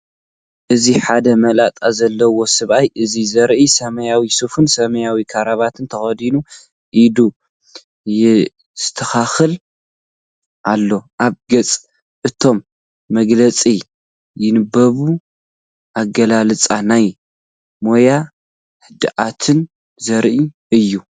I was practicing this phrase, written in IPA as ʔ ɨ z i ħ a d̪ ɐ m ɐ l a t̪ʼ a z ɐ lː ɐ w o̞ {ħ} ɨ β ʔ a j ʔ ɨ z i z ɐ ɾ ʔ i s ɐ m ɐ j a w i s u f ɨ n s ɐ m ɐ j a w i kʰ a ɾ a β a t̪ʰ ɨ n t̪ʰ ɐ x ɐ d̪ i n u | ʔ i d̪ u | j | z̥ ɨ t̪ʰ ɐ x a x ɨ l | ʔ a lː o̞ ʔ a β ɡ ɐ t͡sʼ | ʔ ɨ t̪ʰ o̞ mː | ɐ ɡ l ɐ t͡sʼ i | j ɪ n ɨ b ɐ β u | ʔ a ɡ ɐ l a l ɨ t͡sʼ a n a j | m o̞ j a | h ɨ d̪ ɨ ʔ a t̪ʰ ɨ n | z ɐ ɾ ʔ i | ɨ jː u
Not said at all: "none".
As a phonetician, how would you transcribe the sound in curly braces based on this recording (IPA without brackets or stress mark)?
s